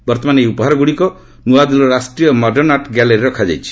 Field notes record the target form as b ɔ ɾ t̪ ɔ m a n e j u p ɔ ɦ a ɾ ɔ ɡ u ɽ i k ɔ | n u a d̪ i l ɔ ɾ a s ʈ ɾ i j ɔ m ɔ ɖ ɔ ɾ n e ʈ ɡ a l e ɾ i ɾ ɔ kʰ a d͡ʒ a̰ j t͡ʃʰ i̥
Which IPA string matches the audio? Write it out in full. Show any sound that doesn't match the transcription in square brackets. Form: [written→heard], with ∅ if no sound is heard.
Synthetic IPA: b ɔ ɾ t̪ ɔ m a n e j u p ɔ ɦ a ɾ ɔ ɡ u ɽ i k ɔ | n u a d̪ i l ɔ ɾ a s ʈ ɾ i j ɔ m ɔ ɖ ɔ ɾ n [e→a] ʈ ɡ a l e ɾ i ɾ ɔ kʰ a d͡ʒ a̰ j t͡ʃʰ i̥